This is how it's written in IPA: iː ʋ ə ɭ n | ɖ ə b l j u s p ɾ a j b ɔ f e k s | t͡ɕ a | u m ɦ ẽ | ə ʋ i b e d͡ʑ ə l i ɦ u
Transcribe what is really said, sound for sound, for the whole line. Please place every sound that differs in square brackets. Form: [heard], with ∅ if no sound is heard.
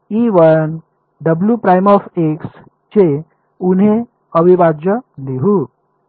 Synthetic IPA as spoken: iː ʋ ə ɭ n | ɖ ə b l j u [∅] p ɾ a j [m] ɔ f e k s | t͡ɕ [e] | u [n] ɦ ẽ | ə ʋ i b [a] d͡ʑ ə l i ɦ u